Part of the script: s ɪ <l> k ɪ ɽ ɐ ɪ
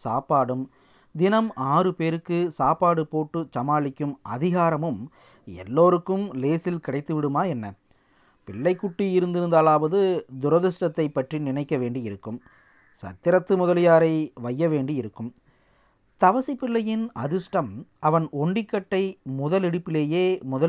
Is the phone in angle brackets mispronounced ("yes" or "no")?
no